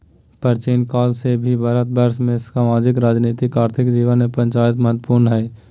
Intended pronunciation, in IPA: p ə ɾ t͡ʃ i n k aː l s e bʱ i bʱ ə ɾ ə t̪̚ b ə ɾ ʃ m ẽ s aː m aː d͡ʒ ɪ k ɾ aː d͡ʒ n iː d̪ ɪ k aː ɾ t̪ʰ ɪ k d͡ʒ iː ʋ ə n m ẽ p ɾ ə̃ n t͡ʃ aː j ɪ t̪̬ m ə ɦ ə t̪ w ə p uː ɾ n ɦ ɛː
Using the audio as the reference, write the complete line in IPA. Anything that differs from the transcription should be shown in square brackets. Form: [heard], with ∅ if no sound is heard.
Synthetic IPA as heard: p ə ɾ t͡ʃ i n k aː l s e bʱ i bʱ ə ɾ ə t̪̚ b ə ɾ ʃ m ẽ s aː m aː d͡ʒ ɪ k ɾ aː d͡ʒ n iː [t̪] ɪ k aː ɾ t̪ʰ ɪ k d͡ʒ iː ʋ ə n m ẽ p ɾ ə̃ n t͡ʃ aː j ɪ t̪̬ m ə ɦ ə t̪ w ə p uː ɾ n ɦ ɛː